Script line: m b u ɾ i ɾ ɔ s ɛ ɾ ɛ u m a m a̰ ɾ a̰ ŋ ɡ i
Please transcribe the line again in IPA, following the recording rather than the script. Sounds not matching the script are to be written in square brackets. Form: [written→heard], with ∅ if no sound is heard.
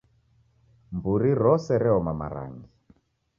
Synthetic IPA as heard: m b u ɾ i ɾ ɔ s ɛ ɾ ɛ [u→ɔ] m a m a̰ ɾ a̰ ŋ ɡ i